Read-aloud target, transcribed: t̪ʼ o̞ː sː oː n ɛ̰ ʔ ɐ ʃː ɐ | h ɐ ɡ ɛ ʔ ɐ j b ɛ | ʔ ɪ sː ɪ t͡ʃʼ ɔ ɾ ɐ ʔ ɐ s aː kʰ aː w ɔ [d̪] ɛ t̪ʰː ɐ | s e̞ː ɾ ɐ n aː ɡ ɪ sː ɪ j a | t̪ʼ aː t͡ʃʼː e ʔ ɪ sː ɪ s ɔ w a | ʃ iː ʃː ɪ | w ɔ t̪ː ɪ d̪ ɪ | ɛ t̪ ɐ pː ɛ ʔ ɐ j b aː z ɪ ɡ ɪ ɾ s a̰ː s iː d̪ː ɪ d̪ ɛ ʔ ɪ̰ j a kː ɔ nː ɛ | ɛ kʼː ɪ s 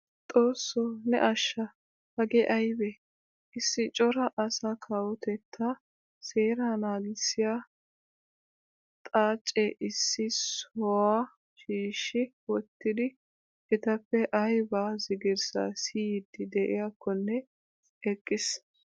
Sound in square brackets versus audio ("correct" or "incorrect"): incorrect